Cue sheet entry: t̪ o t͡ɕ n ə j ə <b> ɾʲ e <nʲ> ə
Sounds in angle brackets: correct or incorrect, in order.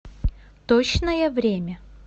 incorrect: v, incorrect: mʲ

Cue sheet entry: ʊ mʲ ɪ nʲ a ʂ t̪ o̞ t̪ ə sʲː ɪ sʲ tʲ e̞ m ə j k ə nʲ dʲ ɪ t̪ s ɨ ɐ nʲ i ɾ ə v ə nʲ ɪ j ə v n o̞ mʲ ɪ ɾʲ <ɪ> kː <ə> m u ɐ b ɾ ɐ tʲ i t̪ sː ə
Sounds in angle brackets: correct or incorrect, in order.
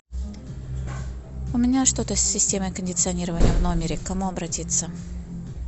correct, incorrect: ɐ

